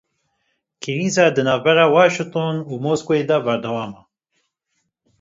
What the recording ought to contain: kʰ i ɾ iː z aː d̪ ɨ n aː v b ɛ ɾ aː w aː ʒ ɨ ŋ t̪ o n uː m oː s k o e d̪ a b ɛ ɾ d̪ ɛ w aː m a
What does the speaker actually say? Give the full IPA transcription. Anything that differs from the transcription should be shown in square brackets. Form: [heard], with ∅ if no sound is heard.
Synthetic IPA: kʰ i ɾ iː z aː d̪ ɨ n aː v b ɛ ɾ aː w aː [ʃ] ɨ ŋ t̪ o n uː m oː s k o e d̪ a b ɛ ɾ d̪ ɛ w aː m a